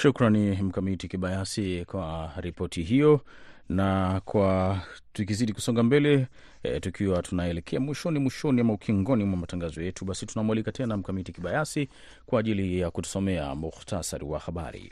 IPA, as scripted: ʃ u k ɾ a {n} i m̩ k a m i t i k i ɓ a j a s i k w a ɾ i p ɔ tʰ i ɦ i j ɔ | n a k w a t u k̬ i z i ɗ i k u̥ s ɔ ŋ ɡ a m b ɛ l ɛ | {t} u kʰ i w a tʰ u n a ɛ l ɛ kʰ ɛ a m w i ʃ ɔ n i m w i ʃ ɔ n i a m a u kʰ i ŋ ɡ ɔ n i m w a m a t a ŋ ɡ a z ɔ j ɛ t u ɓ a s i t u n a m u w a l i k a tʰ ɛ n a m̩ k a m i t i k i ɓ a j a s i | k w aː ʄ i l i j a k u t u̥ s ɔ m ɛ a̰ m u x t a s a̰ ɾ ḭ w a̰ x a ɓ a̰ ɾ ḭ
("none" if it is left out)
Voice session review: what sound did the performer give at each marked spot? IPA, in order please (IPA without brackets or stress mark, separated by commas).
n, t